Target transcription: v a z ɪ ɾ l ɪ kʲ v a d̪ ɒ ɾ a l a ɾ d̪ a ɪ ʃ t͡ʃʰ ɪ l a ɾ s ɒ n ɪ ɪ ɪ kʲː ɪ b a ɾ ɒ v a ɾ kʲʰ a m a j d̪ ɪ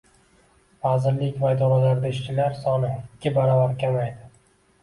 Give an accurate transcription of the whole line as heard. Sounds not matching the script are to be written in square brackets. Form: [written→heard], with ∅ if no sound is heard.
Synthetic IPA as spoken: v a z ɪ ɾ l ɪ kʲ v a d̪ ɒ ɾ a l a ɾ d̪ a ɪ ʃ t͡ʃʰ ɪ l a ɾ s ɒ n ɪ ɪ ɪ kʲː ɪ b a ɾ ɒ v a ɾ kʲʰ a m a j d̪ ɪ